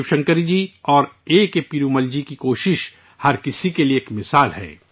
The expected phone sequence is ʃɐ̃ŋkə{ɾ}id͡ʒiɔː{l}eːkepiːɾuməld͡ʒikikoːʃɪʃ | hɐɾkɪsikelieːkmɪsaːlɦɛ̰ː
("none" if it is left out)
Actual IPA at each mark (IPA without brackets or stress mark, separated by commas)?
ɾ, ɾ